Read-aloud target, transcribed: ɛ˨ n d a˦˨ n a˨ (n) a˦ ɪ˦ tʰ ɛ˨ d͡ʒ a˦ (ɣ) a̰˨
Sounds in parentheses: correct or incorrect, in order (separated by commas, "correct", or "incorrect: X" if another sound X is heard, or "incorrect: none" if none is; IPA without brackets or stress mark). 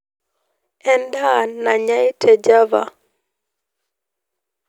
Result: incorrect: ɲ, incorrect: v